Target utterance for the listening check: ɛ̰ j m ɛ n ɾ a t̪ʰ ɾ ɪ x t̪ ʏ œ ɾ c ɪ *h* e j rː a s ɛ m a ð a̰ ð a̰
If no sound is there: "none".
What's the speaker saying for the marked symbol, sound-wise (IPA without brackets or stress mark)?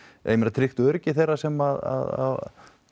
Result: θ